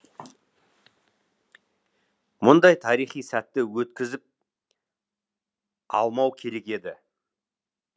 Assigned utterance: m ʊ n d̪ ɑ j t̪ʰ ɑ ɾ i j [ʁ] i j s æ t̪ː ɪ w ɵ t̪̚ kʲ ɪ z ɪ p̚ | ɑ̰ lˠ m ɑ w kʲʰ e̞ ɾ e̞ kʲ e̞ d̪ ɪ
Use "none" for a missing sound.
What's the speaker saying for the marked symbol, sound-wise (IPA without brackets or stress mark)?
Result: χ